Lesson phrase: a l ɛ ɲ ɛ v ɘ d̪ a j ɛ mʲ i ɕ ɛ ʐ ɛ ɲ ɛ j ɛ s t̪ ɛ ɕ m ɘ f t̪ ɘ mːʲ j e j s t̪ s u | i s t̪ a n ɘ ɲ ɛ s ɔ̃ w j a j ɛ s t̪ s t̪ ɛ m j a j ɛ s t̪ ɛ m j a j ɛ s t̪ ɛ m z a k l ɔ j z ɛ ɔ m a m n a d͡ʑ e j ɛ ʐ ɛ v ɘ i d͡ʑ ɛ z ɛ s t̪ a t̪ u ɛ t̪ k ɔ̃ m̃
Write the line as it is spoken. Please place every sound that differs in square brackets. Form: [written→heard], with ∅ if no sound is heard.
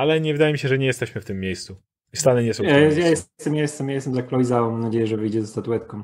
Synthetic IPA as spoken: a l ɛ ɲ ɛ v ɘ d̪ a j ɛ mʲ i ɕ ɛ ʐ ɛ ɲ ɛ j ɛ s t̪ ɛ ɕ m ɘ f t̪ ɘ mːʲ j e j s t̪ s u | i s t̪ a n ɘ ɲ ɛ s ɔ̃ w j a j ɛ s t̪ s t̪ ɛ m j a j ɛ s t̪ ɛ m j a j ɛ s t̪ ɛ m z a k l ɔ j z [ɛ→a] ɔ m a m n a d͡ʑ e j ɛ ʐ ɛ v ɘ [i→j] d͡ʑ ɛ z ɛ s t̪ a t̪ u ɛ t̪ k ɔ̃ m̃